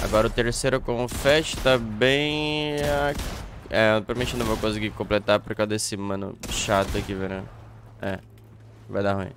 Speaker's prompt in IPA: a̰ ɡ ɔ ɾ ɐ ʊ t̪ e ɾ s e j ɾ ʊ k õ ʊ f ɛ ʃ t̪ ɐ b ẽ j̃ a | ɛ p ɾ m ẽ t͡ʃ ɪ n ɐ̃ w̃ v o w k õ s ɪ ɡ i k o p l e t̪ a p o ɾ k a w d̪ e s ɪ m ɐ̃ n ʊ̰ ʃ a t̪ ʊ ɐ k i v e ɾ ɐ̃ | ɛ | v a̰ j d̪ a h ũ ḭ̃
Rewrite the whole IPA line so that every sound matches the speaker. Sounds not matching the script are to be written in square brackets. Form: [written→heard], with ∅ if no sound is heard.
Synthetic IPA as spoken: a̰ ɡ ɔ ɾ ɐ ʊ t̪ e ɾ s e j ɾ ʊ k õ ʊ f ɛ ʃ t̪ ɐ b ẽ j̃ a | ɛ p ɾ m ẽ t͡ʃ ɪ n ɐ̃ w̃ v o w k õ s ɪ ɡ i k [o→õ] p l e t̪ a p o ɾ k a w d̪ e s ɪ m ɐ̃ n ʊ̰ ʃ a t̪ ʊ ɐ k i v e ɾ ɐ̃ | ɛ | v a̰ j d̪ a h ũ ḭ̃

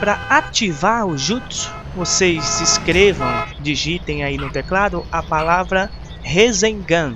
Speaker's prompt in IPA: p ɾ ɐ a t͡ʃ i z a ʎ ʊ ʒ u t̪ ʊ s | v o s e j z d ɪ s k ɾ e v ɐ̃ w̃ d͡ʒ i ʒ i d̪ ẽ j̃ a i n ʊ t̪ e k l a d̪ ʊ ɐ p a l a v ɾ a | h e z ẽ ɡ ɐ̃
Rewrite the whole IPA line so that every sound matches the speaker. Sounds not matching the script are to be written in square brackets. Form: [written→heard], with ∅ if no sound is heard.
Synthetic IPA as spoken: p ɾ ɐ a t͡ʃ i [z→v] a [ʎ→ɾ] ʊ ʒ u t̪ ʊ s | v o s e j z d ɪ s k ɾ e v ɐ̃ w̃ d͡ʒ i ʒ i [d̪→t̪] ẽ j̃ a i n ʊ t̪ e k l a d̪ ʊ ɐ p a l a v ɾ [a→ɐ] | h e z ẽ ɡ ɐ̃

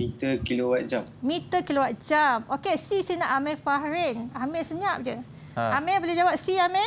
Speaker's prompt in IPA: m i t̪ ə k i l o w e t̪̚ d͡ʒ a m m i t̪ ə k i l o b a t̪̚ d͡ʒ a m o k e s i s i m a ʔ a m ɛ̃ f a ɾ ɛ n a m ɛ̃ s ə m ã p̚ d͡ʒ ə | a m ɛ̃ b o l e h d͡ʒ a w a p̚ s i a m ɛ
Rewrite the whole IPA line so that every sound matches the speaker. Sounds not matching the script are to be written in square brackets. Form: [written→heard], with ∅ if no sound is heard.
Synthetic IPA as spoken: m i t̪ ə k i l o w [e→a] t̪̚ d͡ʒ a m m i t̪ ə k i l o [b→w] a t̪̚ d͡ʒ a m o k e s i s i [m→n] a ʔ a m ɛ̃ f a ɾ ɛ n a m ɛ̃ s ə [m→ɲ] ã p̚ d͡ʒ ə | a m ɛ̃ b o l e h d͡ʒ a w a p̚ s i a m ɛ

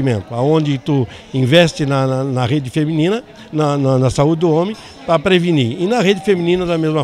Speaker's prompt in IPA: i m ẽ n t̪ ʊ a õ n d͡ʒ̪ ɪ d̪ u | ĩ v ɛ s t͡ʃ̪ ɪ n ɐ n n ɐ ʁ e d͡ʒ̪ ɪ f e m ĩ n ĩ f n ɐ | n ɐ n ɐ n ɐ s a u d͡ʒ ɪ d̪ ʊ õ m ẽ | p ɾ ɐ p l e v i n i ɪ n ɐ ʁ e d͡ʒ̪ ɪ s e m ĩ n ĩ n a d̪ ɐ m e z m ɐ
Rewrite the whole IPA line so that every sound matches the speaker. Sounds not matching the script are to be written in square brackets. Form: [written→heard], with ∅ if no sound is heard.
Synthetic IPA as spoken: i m ẽ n t̪ ʊ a õ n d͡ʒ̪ ɪ [d̪→t̪] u | ĩ v ɛ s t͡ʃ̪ ɪ n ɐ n n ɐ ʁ e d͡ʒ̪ ɪ f e m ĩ n ĩ [f→∅] n ɐ | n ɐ n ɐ n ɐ s a u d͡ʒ ɪ d̪ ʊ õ m ẽ | p ɾ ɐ p [l→ɾ] e v i n i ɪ n ɐ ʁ e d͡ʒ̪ ɪ [s→f] e m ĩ n ĩ n [a→ɐ] d̪ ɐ m e z m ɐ

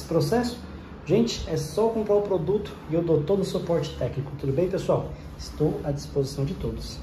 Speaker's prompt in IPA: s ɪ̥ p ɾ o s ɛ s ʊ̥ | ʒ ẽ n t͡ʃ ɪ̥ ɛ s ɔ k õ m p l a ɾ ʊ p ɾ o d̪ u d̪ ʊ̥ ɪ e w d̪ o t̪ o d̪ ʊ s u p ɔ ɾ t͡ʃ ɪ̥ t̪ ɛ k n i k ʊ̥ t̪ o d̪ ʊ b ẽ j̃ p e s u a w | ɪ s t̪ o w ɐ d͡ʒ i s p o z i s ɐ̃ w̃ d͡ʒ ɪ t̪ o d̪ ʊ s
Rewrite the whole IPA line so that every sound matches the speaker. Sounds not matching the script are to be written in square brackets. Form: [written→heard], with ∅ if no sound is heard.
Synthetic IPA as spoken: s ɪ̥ p ɾ o s ɛ s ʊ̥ | ʒ ẽ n t͡ʃ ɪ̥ ɛ s ɔ k õ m p [l→ɾ] a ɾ ʊ p ɾ o d̪ u [d̪→t̪] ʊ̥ ɪ e w d̪ o t̪ o d̪ ʊ s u p ɔ ɾ t͡ʃ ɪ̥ t̪ ɛ k n i k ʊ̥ t̪ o d̪ ʊ b ẽ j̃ p e s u a w | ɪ s t̪ o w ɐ d͡ʒ i s p o z i s ɐ̃ w̃ d͡ʒ ɪ t̪ o d̪ ʊ s

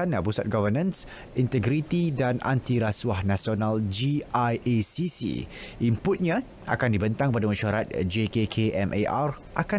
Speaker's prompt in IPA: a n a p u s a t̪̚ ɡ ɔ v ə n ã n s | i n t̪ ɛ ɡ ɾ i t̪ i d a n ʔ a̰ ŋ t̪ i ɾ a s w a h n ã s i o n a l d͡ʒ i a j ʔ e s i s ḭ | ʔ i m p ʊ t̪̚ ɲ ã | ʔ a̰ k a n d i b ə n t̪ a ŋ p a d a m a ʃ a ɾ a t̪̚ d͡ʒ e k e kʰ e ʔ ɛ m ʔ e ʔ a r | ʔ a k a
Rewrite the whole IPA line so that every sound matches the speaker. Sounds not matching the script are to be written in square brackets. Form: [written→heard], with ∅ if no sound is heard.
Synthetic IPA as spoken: a n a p u s a t̪̚ ɡ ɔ v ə n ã n s | i n t̪ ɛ ɡ ɾ i t̪ i d a n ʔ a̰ [ŋ→n] t̪ i ɾ a s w a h n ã s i o n a l d͡ʒ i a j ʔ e s i s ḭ | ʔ i m p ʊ t̪̚ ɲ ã | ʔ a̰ k a n d i b ə n t̪ a ŋ p a d a m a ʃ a ɾ a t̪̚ d͡ʒ e k e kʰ e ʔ ɛ m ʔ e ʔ a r | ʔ a k a

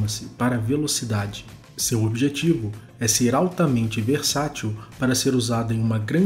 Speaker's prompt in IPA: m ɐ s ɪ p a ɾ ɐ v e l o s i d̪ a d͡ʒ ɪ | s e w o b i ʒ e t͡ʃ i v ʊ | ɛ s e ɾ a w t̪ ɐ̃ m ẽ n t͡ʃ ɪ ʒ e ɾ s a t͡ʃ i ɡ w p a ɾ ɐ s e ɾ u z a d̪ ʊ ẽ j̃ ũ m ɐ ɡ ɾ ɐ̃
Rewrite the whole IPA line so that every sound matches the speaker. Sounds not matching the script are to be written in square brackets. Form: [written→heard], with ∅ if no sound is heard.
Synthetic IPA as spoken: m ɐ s ɪ p a ɾ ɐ v e l o s i d̪ a d͡ʒ ɪ | s e w o b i ʒ e t͡ʃ i v ʊ | ɛ s e ɾ a w t̪ [ɐ̃→ɐ] m ẽ n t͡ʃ ɪ [ʒ→v] e ɾ s a t͡ʃ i [ɡ→∅] w p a ɾ ɐ s e ɾ u z a d̪ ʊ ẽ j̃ ũ m ɐ ɡ ɾ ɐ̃

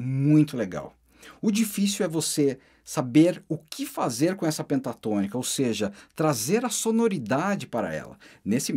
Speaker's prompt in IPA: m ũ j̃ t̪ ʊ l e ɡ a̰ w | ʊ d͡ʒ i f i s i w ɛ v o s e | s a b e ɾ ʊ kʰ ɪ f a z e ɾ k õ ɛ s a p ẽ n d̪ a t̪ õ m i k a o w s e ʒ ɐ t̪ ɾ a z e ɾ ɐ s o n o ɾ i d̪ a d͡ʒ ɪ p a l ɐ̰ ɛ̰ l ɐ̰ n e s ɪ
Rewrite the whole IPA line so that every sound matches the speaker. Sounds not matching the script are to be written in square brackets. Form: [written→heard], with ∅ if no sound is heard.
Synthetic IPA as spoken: m ũ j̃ t̪ ʊ l e ɡ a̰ w | ʊ d͡ʒ i f i s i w ɛ v o s e | s a b e ɾ ʊ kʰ ɪ f a z e ɾ k õ ɛ s [a→ɐ] p ẽ n [d̪→t̪] a t̪ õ [m→n] i k [a→ɐ] o w s e ʒ ɐ t̪ ɾ a z e ɾ ɐ s o n o ɾ i d̪ a d͡ʒ ɪ p a [l→ɾ] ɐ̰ ɛ̰ l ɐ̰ n e s ɪ

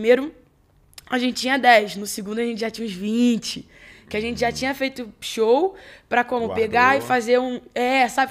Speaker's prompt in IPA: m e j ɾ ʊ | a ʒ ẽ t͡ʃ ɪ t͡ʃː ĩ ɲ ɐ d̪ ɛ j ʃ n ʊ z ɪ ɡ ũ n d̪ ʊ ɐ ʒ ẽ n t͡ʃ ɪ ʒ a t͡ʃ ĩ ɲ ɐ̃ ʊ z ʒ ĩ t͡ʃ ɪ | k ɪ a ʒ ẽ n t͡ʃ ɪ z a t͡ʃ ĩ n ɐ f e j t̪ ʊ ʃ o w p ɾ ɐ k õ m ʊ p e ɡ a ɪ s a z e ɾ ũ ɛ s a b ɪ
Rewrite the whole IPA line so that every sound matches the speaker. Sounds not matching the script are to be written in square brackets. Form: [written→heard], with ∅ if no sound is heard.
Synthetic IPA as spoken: m e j ɾ ʊ | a ʒ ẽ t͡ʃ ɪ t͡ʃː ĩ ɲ ɐ d̪ ɛ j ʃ n ʊ [z→s] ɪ ɡ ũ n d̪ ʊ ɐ ʒ ẽ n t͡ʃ ɪ ʒ a t͡ʃ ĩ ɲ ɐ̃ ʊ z [ʒ→v] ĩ t͡ʃ ɪ | k ɪ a ʒ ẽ n t͡ʃ ɪ [z→ʒ] a t͡ʃ ĩ [n→ɲ] ɐ f e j t̪ ʊ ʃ o w p ɾ ɐ k õ m ʊ p e ɡ a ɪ [s→f] a z e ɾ ũ ɛ s a b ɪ

